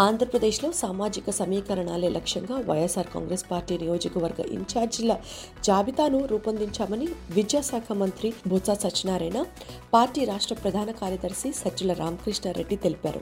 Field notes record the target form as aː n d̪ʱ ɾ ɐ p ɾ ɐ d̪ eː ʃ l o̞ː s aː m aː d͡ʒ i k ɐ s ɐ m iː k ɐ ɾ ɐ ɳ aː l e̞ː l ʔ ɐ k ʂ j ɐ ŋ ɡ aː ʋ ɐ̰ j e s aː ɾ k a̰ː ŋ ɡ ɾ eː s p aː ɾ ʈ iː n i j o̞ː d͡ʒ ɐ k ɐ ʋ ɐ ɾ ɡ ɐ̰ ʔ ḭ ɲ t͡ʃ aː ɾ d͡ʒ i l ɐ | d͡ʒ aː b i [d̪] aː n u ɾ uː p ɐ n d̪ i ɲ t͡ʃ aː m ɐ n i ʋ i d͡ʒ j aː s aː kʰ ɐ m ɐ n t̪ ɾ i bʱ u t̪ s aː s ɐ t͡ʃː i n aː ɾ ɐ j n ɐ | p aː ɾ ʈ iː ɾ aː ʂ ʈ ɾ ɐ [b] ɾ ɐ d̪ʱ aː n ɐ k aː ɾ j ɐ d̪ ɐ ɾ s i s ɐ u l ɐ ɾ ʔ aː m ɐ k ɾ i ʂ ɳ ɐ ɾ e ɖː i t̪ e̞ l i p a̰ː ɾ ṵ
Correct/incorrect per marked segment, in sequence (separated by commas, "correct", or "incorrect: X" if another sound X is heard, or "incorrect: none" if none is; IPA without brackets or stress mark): incorrect: t̪, incorrect: p